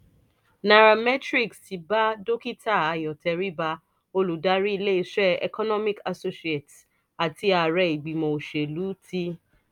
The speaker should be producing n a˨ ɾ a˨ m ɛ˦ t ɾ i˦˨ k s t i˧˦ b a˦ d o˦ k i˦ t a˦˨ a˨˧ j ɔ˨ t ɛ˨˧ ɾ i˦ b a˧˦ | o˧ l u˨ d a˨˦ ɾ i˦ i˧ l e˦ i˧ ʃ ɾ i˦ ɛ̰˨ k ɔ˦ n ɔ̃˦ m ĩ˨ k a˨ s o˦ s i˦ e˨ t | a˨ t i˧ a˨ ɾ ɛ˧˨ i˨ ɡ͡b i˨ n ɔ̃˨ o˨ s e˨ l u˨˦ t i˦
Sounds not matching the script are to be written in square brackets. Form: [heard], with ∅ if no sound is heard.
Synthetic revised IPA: n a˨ ɾ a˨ m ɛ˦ t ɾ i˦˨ k s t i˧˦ b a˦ d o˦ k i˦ t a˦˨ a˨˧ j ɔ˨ t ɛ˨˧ ɾ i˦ b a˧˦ | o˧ l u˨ d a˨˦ ɾ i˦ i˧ l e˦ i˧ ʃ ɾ [ɛ˦] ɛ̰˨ k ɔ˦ n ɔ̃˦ m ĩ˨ k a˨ s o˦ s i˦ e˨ t | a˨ t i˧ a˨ ɾ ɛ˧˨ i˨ ɡ͡b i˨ [m] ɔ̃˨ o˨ [ʃ] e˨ l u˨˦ t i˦

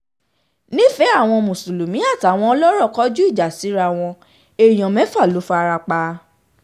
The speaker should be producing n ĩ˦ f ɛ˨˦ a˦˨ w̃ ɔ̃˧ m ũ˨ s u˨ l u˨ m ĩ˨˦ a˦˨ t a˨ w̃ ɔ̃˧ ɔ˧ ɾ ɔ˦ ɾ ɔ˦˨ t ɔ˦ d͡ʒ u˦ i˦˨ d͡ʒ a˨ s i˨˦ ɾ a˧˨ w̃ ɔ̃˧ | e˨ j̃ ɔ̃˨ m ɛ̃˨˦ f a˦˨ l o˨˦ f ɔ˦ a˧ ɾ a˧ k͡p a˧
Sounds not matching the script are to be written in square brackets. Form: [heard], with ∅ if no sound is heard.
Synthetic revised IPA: n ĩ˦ f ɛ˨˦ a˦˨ w̃ ɔ̃˧ m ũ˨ s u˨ l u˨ m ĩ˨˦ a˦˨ t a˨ w̃ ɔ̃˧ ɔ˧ [l] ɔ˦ ɾ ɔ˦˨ [k] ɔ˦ d͡ʒ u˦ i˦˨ d͡ʒ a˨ s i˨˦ ɾ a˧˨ w̃ ɔ̃˧ | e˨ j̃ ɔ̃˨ m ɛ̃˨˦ f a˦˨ l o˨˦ f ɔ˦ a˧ ɾ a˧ k͡p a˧

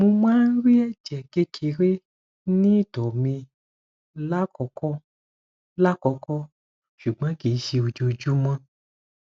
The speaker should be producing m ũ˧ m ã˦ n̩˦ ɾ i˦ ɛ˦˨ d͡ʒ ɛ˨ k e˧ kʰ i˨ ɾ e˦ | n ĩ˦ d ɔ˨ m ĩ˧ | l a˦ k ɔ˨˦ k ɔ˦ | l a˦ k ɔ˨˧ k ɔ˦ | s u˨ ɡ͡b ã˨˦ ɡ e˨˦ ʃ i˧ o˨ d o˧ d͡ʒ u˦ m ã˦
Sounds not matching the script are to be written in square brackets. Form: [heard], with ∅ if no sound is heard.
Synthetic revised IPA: m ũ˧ m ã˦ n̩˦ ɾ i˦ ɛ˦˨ d͡ʒ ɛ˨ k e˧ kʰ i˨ ɾ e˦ | n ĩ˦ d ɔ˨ m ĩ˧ | l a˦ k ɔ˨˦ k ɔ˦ | l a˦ k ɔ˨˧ k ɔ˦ | [ʃ] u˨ ɡ͡b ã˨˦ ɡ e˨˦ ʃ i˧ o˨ [d͡ʒ] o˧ d͡ʒ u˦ m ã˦

